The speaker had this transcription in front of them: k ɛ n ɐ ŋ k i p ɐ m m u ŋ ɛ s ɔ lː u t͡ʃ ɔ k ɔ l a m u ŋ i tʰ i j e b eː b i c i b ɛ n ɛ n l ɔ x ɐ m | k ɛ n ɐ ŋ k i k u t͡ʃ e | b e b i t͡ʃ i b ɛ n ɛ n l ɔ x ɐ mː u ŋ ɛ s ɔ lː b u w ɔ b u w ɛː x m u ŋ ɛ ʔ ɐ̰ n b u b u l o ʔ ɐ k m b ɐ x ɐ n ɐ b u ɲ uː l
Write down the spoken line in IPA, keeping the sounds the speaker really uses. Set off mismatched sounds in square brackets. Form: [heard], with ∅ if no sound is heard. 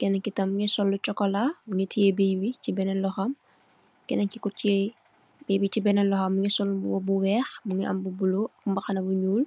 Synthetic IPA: k ɛ n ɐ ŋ k i [t] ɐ m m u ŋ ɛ s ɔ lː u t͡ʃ ɔ k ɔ l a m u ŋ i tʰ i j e b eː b i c i b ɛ n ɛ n l ɔ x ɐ m | k ɛ n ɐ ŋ k i k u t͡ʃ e | b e b i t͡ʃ i b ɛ n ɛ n l ɔ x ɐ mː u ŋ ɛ s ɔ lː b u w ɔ b u w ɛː x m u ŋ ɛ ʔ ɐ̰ [m] b u b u l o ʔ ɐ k m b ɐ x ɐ n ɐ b u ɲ uː l